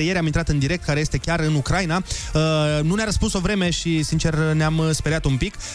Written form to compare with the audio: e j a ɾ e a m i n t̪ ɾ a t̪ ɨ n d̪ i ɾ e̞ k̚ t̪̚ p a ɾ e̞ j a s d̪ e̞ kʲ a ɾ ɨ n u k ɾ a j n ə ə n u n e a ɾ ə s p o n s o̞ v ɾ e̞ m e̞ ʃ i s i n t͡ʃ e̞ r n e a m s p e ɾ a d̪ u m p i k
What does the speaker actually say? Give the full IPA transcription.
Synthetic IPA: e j e ɾ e a m i n t̪ ɾ a t̪ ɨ n d̪ i ɾ e̞ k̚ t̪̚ k a ɾ e̞ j e s t̪ e̞ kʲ a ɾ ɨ n u k ɾ a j n a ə n u n e a ɾ ə s p u n s o̞ v ɾ e̞ m e̞ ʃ i s i n t͡ʃ e̞ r n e a m s p e ɾ a t̪ u m p i k